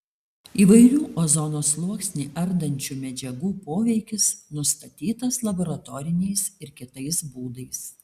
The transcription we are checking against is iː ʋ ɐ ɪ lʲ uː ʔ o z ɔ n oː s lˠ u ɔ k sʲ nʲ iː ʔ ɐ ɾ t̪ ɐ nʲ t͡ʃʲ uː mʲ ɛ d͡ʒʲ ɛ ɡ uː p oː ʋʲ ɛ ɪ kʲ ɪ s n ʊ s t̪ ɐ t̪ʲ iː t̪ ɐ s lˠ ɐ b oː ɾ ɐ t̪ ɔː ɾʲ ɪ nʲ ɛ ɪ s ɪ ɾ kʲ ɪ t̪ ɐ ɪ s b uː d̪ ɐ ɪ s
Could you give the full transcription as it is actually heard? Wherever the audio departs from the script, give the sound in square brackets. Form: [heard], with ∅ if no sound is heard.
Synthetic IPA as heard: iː ʋ ɐ ɪ [ɾʲ] uː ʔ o z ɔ n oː s lˠ u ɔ k sʲ nʲ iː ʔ ɐ ɾ [d̪] ɐ nʲ t͡ʃʲ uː mʲ ɛ d͡ʒʲ ɛ ɡ uː p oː ʋʲ ɛ ɪ kʲ ɪ s n ʊ s t̪ ɐ t̪ʲ iː t̪ ɐ s lˠ ɐ b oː ɾ ɐ t̪ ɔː ɾʲ ɪ nʲ ɛ ɪ s ɪ ɾ kʲ ɪ t̪ ɐ ɪ s b uː d̪ ɐ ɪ s